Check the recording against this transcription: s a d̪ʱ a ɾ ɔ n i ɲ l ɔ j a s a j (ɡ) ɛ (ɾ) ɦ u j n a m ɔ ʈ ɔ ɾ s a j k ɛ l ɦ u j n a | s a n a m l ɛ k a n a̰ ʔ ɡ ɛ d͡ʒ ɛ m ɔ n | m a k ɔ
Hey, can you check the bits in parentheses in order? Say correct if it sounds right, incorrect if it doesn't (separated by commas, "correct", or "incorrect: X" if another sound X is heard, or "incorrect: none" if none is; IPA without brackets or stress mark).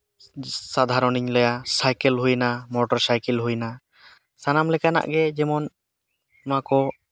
incorrect: k, incorrect: l